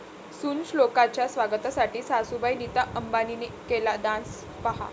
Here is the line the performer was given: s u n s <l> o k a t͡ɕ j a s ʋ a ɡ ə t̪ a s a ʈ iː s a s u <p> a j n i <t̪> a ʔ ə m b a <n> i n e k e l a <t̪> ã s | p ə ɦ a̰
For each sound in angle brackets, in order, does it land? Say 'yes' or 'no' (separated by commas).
yes, no, yes, yes, no